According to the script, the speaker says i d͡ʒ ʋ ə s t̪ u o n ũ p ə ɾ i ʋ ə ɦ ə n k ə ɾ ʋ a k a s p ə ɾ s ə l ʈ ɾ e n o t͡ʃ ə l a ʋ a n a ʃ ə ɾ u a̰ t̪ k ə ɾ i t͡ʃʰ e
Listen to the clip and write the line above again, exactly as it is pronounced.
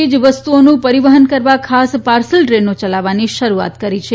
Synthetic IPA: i d͡ʒ ʋ ə s t̪ u o n ũ p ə ɾ i ʋ ə ɦ ə n k ə ɾ ʋ a kʰ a s p a ɾ s ə l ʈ ɾ e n o t͡ʃ ə l a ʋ a n i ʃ ə ɾ u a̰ t̪ k ə ɾ i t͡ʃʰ e